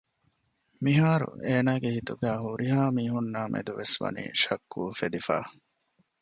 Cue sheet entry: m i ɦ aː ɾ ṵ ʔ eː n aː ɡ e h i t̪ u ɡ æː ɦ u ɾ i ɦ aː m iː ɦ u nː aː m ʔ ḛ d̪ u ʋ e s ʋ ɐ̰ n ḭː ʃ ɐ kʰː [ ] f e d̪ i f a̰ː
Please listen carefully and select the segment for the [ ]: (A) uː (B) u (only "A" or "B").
A